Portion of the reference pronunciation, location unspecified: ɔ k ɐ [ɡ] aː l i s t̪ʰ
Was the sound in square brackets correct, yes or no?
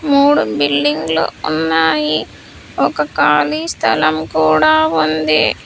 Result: no